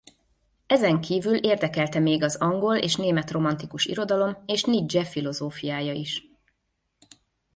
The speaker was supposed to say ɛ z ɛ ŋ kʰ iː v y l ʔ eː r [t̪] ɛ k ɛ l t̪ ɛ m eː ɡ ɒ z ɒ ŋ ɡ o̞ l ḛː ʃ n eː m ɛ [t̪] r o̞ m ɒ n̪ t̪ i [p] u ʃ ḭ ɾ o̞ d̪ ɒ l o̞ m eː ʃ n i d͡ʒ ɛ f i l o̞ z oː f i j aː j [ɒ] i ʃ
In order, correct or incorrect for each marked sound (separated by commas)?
incorrect, correct, incorrect, correct